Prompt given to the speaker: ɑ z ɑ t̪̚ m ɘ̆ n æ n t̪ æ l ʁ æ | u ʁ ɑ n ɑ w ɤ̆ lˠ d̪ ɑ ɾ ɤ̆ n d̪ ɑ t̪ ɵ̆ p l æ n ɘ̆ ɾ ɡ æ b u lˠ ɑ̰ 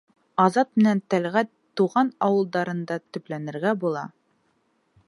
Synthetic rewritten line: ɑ z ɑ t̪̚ m ɘ̆ n æ n t̪ æ l ʁ æ | u ʁ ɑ n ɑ w ɤ̆ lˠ d̪ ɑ ɾ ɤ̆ n d̪ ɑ t̪ ɵ̆ p l æ n ɘ̆ ɾ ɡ æ b u lˠ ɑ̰